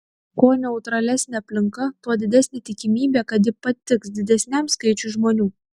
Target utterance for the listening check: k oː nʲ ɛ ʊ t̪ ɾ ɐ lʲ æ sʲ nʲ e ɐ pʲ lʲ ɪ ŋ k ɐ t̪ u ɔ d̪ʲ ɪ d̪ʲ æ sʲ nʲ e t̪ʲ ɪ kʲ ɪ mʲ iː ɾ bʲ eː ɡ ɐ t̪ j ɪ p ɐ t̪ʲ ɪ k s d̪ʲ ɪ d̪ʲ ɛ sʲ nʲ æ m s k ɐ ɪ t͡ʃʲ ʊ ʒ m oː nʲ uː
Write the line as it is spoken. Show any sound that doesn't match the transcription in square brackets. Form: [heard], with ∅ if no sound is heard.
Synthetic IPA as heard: k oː nʲ ɛ ʊ t̪ ɾ ɐ lʲ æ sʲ nʲ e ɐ pʲ lʲ ɪ ŋ k ɐ t̪ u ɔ d̪ʲ ɪ d̪ʲ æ sʲ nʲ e t̪ʲ ɪ kʲ ɪ mʲ iː [∅] bʲ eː [k] ɐ t̪ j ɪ p ɐ t̪ʲ ɪ k s d̪ʲ ɪ d̪ʲ ɛ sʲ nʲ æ m s k ɐ ɪ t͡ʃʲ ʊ ʒ m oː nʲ uː